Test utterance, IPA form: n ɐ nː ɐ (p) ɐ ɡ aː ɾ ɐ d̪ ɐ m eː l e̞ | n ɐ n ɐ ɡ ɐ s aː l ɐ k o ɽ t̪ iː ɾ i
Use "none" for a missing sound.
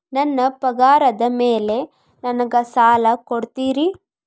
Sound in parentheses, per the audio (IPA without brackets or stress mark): p